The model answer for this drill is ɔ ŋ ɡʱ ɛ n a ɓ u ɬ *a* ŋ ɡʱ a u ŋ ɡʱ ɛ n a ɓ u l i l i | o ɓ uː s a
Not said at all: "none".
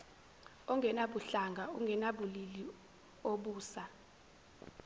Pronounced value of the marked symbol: a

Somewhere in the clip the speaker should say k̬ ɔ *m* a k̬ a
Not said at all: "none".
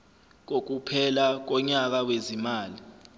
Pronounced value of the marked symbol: ɲ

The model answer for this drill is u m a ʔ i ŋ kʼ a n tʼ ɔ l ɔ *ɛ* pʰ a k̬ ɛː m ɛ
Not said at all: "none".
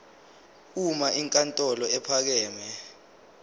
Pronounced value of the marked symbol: ɛ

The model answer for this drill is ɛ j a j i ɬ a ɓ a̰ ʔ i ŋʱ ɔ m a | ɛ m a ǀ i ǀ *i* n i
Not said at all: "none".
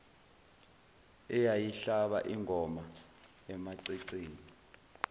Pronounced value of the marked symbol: iː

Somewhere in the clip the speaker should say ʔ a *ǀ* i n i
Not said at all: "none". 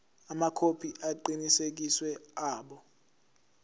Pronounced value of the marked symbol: ǃ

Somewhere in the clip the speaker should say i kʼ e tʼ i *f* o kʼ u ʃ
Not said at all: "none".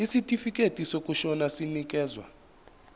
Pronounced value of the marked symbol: s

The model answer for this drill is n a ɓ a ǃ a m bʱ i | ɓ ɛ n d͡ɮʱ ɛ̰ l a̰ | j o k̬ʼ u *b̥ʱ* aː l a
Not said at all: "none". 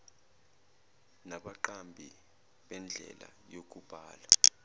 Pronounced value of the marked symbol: b̥ʱ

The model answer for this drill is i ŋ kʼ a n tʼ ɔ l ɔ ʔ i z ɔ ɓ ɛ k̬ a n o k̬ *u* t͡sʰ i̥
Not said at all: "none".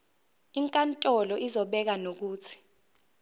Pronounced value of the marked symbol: uː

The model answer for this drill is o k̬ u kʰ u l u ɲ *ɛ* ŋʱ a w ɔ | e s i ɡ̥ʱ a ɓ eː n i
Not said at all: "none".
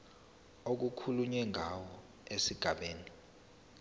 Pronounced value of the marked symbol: ɛ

